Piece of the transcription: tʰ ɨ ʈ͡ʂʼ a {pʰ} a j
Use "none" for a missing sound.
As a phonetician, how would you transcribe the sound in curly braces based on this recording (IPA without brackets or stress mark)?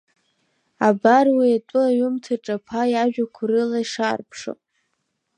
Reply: pʰ